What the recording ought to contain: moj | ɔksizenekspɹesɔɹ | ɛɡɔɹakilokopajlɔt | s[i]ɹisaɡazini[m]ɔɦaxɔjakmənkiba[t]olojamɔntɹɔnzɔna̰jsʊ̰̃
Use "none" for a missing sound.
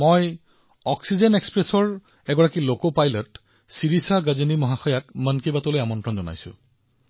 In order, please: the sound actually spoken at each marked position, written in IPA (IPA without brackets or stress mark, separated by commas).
i, m, t